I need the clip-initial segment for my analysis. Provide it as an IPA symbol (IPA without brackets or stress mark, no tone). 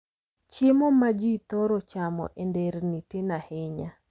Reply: t͡ʃ